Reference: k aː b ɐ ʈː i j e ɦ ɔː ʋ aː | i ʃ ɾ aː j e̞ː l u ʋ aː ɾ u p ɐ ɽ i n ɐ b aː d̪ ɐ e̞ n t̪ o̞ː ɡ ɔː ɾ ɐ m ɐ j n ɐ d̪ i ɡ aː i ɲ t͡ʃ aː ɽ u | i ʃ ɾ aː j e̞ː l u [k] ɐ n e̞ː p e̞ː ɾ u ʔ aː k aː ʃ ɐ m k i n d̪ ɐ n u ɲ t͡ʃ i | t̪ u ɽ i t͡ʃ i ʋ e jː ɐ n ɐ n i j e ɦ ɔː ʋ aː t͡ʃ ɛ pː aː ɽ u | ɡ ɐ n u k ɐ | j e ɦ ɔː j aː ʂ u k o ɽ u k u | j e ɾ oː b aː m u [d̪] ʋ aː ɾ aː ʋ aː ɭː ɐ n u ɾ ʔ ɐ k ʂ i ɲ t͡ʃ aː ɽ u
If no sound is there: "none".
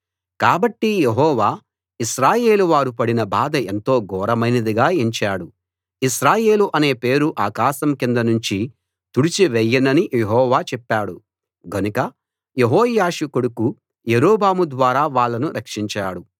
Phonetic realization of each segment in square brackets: ʔ, d̪

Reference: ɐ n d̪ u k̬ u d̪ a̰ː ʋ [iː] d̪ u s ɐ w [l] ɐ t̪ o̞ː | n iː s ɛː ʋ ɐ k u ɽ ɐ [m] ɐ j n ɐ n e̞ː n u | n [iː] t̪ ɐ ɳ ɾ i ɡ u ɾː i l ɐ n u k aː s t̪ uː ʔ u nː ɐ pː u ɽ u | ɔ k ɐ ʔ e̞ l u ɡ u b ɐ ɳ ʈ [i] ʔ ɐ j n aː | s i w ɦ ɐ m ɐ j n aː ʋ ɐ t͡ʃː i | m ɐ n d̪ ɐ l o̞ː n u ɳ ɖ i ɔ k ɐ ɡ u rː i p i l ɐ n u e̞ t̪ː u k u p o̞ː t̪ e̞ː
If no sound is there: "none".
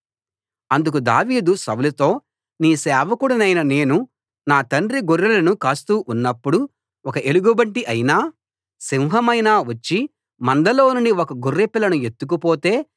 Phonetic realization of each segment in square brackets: iː, l, n, aː, i

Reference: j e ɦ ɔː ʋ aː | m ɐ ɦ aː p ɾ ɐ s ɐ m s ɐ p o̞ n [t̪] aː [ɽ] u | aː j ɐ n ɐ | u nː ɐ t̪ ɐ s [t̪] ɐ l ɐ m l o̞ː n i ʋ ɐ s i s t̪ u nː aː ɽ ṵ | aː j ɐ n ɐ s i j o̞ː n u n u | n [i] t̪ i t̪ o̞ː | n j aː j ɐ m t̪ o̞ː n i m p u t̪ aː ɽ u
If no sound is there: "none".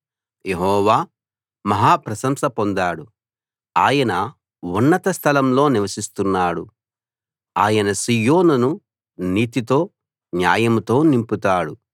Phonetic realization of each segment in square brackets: d̪, ɽ, t̪ʰ, iː

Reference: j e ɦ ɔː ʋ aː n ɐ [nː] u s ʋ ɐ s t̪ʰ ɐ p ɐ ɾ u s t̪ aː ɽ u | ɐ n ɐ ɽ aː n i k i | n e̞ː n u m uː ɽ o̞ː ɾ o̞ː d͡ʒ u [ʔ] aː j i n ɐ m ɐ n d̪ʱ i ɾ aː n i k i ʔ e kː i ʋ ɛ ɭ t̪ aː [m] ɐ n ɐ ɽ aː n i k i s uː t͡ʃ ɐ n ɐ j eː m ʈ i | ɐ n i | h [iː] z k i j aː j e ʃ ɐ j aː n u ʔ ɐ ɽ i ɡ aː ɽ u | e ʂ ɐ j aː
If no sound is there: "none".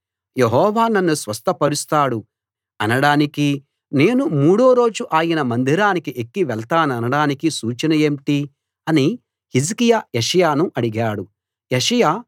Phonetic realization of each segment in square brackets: nː, ʔ, n, i

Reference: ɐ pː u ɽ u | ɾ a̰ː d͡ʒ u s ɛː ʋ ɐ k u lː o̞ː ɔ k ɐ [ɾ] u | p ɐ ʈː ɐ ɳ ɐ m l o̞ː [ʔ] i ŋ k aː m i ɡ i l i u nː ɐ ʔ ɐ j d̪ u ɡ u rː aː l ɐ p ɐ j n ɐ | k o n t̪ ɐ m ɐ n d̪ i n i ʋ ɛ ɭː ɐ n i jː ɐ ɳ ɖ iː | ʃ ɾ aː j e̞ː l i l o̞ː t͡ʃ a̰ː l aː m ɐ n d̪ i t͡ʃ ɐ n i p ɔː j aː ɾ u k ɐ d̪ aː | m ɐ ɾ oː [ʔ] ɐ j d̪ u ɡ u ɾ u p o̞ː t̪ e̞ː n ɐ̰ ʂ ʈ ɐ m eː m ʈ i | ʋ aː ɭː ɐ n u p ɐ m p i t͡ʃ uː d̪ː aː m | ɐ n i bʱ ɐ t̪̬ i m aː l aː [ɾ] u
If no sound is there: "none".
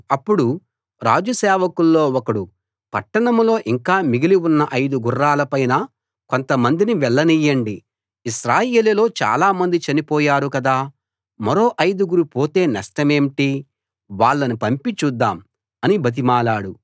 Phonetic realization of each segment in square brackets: ɽ, ʔ, ʔ, ɽ

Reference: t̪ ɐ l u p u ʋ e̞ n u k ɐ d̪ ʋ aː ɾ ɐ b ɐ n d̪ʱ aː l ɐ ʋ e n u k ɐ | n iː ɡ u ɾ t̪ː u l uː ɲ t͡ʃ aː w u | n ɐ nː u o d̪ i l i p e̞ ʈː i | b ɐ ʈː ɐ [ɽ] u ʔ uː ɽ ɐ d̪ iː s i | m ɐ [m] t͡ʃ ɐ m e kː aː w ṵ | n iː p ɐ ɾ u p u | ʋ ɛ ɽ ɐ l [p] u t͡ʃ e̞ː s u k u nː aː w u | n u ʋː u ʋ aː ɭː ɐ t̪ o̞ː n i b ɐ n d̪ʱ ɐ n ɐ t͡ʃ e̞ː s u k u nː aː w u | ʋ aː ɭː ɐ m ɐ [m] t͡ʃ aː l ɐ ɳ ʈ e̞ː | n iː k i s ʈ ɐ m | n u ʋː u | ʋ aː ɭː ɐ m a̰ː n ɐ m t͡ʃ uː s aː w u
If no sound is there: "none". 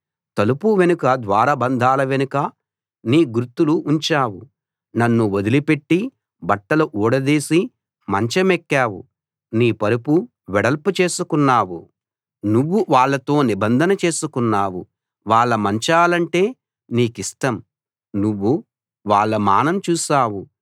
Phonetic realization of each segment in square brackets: l, ɲ, p, ɲ

